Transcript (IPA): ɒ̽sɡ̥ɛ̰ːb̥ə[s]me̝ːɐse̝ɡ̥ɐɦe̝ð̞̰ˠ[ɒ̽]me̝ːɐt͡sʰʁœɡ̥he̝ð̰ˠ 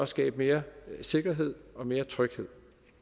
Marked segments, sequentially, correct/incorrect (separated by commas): incorrect, correct